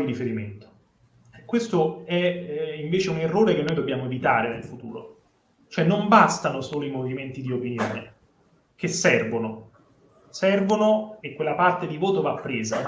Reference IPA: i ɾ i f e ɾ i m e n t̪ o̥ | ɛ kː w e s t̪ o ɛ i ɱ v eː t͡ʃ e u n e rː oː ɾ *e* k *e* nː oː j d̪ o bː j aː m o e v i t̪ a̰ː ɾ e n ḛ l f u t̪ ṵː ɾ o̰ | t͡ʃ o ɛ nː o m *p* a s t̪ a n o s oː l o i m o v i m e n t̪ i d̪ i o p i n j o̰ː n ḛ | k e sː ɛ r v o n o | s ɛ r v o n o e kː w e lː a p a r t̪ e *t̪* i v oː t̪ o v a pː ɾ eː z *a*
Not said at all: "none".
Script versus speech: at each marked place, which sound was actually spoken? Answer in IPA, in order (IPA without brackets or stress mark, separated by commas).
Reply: e, e, b, d̪, a